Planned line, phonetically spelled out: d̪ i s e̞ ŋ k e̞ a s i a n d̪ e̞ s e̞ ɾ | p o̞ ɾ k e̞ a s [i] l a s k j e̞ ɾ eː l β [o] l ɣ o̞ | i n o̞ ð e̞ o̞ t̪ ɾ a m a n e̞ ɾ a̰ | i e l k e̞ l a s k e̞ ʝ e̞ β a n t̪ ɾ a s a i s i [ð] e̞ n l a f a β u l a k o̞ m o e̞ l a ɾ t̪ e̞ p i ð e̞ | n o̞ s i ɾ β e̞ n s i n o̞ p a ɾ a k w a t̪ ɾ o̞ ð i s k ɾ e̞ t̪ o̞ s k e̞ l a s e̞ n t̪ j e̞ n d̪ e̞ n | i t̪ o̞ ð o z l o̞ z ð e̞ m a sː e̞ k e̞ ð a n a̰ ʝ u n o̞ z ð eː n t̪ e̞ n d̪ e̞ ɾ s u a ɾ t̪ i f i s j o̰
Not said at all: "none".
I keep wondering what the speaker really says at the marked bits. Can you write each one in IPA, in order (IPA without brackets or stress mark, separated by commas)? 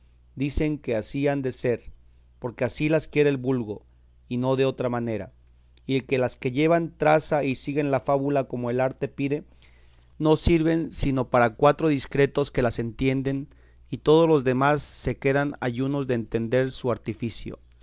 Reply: i, u, ɣ